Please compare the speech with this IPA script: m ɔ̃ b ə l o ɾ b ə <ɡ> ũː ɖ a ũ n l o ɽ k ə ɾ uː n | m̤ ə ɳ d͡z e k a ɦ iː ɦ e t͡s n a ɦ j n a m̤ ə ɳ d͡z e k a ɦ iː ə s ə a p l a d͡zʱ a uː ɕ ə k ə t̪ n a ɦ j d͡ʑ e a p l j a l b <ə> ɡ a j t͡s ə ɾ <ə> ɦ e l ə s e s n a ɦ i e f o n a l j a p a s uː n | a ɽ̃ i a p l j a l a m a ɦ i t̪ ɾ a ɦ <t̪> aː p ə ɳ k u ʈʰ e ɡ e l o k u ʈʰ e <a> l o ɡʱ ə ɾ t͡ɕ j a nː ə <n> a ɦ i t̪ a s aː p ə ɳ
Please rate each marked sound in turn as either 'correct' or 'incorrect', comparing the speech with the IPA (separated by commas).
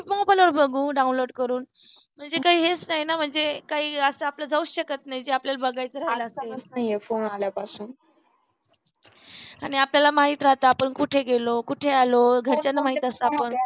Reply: correct, correct, incorrect, correct, correct, incorrect